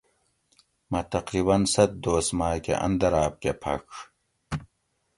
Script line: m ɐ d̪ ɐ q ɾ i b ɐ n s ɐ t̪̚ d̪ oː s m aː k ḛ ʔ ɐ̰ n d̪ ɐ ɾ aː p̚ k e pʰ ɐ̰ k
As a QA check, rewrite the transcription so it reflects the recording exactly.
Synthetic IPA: m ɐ t̪ ɐ q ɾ i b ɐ n s ɐ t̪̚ d̪ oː s m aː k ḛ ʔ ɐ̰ n d̪ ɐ ɾ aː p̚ k e pʰ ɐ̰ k